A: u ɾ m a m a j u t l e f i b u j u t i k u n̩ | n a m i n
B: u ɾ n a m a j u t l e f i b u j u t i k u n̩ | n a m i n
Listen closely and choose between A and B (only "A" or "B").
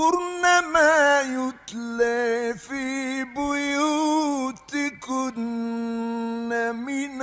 B